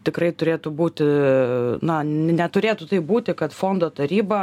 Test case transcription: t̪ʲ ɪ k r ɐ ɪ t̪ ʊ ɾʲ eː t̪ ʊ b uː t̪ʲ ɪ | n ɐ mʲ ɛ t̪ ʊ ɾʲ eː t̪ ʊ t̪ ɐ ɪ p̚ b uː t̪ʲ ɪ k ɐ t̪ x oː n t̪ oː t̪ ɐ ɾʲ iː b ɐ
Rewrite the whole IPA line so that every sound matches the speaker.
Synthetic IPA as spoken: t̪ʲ ɪ k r ɐ ɪ t̪ ʊ ɾʲ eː t̪ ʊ b uː t̪ʲ ɪ | n ɐ nʲ ɛ t̪ ʊ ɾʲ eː t̪ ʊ t̪ ɐ ɪ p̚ b uː t̪ʲ ɪ k ɐ t̪ f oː n d̪ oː t̪ ɐ ɾʲ iː b ɐ